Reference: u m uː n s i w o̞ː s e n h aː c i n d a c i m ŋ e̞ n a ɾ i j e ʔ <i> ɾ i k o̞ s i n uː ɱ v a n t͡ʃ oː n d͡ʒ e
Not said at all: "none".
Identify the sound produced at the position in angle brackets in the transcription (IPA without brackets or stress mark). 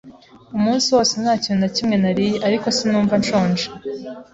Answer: a